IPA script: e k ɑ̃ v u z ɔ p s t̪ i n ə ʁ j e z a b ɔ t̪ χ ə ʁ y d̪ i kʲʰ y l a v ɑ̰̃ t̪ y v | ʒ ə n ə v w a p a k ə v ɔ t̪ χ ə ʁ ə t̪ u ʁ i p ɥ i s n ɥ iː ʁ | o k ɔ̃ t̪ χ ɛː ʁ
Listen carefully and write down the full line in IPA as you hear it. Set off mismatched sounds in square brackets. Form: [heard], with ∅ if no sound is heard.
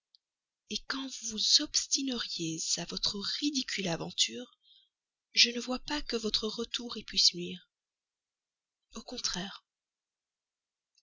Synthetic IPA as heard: e k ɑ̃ v u z ɔ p s t̪ i n ə ʁ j e z a [v] ɔ t̪ χ ə ʁ [i] d̪ i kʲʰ y l a v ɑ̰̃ t̪ y [ʁ] | ʒ ə n ə v w a p a k ə v ɔ t̪ χ ə ʁ ə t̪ u ʁ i p ɥ i s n ɥ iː ʁ | o k ɔ̃ t̪ χ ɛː ʁ